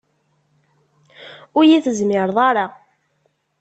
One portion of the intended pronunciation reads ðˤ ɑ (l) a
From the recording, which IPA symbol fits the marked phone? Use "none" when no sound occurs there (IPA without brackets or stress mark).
ɾ